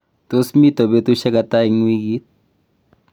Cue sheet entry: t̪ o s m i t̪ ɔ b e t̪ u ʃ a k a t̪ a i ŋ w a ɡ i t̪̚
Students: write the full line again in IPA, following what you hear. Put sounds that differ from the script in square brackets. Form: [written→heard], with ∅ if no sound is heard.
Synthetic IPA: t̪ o s m i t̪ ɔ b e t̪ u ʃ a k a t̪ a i ŋ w [a→i] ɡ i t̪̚

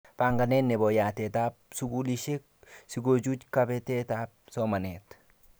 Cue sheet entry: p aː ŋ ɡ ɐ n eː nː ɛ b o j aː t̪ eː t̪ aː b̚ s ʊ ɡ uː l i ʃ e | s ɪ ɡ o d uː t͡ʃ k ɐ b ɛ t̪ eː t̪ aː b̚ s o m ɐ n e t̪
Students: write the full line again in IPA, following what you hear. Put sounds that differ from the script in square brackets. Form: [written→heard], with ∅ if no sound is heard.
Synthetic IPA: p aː ŋ ɡ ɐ n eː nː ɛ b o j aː t̪ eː t̪ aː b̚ s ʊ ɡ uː l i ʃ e | s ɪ ɡ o [d→d͡ʒ] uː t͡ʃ k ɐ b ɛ t̪ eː t̪ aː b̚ s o m ɐ n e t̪

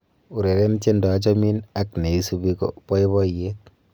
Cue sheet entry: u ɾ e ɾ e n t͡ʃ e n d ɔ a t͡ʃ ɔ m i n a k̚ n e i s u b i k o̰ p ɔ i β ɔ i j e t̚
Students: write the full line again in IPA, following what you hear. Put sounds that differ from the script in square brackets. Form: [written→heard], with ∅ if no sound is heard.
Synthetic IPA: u ɾ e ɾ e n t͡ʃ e n d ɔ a t͡ʃ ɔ m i n a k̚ n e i s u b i k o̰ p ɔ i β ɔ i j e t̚

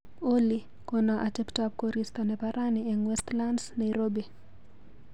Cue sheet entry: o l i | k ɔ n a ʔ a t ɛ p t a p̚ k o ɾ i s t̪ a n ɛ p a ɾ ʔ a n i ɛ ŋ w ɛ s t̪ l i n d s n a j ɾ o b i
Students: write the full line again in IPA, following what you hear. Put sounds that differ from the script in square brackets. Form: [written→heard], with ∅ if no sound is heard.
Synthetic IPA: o l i | k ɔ n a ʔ a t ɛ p t a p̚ k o ɾ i s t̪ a n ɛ p a ɾ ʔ a n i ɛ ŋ w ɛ s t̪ l [i→a] n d s n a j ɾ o b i

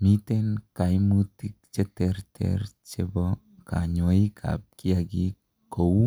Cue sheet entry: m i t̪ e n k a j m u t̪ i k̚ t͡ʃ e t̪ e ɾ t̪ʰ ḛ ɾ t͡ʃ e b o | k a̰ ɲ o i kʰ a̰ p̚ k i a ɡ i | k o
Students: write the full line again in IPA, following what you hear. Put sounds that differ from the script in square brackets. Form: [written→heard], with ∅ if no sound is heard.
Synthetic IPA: m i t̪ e n k a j m u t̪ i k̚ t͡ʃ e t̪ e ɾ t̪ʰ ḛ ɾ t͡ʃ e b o | k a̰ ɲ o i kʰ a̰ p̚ k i a ɡ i | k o

